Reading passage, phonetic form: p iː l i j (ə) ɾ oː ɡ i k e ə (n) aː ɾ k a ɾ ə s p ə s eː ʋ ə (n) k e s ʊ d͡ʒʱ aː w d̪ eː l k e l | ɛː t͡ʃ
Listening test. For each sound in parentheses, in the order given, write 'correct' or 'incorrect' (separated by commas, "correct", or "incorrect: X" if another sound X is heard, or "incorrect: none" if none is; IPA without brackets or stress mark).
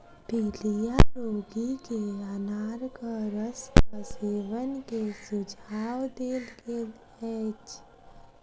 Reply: incorrect: a, correct, correct